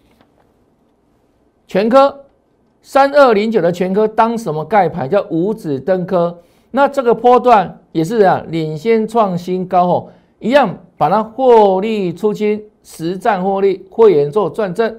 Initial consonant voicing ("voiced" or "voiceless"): voiceless